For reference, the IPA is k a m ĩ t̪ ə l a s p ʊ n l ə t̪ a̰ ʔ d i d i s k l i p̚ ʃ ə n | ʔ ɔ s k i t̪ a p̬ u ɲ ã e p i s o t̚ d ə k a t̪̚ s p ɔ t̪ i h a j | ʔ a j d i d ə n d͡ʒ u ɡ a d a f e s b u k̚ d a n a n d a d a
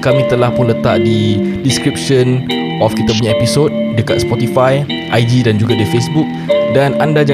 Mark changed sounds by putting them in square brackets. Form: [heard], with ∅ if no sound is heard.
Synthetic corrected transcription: k a m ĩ t̪ ə l a [h] p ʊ n l ə t̪ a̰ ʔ d i d i s k [ɾ] i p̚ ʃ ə n | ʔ ɔ [f] k i t̪ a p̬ u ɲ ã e p i s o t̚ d ə k a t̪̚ s p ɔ t̪ i [f] a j | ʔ a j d i d [a] n d͡ʒ u ɡ a d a f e s b u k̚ d a n a n d a [d͡ʒ] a